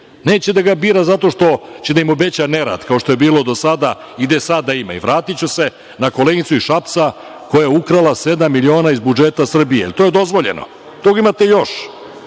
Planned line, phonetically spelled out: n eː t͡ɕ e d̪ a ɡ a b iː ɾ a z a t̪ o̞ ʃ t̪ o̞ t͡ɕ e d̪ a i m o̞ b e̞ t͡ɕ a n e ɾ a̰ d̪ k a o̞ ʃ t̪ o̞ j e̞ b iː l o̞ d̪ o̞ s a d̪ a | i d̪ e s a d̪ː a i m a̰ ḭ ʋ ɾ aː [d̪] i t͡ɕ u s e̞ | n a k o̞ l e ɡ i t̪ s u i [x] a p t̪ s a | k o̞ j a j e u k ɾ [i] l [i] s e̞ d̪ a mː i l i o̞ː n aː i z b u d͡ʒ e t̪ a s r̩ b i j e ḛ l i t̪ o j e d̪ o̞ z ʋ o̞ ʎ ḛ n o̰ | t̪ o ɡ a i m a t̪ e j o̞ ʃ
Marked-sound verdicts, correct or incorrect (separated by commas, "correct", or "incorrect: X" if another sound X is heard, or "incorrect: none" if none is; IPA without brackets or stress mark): incorrect: t̪, incorrect: ʃ, incorrect: a, incorrect: a